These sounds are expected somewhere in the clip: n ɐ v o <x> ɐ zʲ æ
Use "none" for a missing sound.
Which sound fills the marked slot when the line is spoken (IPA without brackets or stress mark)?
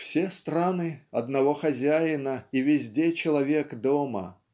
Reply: x